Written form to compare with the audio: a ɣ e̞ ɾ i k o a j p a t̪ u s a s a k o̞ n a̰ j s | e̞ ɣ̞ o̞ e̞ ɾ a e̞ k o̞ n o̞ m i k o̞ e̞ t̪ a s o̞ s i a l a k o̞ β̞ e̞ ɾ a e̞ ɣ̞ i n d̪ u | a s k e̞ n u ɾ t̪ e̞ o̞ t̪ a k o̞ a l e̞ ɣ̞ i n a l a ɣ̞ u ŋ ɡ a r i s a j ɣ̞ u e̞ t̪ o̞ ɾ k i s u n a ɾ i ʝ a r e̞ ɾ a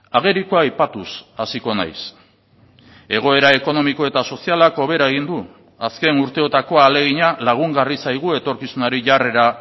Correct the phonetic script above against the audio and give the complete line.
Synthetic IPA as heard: a ɣ e̞ ɾ i k o a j p a t̪ u s a s i k o̞ n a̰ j s | e̞ ɣ̞ o̞ e̞ ɾ a e̞ k o̞ n o̞ m i k o̞ e̞ t̪ a s o̞ s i a l a k o̞ β̞ e̞ ɾ a e̞ ɣ̞ i n d̪ u | a s k e̞ n u ɾ t̪ e̞ o̞ t̪ a k o̞ a l e̞ ɣ̞ i ɲ a l a ɣ̞ u ŋ ɡ a r i s a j ɣ̞ u e̞ t̪ o̞ ɾ k i s u n a ɾ i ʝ a r e̞ ɾ a